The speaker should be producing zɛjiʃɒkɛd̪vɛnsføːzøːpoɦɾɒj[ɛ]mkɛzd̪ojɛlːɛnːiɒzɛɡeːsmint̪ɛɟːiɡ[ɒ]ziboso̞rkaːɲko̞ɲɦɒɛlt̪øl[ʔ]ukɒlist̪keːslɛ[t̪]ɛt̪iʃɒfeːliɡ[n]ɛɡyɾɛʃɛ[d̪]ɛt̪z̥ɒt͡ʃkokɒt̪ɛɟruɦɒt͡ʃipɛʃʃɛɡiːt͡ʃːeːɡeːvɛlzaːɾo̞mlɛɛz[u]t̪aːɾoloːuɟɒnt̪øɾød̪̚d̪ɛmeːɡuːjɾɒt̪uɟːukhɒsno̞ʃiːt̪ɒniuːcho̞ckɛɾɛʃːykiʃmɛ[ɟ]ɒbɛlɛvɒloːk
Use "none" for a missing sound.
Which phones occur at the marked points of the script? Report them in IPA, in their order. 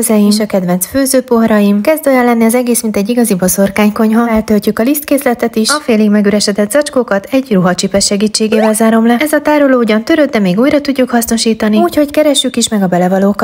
i, ɒ, c, t̪, m, d̪, ɒ, ɡ

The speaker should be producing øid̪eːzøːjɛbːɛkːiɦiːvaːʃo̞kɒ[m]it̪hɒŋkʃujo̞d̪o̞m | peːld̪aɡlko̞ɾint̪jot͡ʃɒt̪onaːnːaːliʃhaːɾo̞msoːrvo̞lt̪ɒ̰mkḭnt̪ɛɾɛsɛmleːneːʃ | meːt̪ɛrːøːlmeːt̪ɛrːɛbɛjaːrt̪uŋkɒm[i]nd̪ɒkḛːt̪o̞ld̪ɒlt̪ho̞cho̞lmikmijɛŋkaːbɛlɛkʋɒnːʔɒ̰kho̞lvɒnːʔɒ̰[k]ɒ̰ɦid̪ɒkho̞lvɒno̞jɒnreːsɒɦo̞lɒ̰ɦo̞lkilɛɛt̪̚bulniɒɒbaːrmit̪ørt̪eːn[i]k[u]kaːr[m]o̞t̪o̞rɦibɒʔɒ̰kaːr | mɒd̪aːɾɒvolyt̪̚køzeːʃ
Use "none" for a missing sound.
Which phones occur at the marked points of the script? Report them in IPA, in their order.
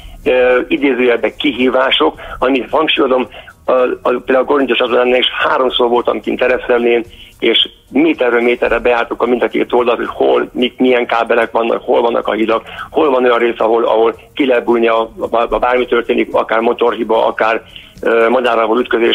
m, i, k, i, ɒ, m

